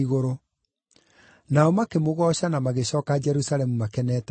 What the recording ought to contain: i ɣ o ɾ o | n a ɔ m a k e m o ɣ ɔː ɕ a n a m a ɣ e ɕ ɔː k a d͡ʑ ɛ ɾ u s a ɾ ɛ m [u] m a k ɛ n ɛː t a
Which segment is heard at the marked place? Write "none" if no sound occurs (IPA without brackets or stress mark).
u